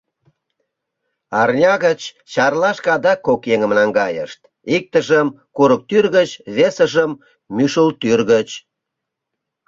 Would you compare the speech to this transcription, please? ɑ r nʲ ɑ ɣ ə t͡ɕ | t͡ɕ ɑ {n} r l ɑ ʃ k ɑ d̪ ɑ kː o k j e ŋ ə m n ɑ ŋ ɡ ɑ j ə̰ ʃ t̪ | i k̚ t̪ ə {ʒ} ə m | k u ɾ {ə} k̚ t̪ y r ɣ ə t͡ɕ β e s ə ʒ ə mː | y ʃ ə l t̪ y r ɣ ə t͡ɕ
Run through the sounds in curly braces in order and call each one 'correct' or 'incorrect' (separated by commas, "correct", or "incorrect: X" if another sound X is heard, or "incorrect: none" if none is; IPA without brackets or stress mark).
incorrect: none, correct, correct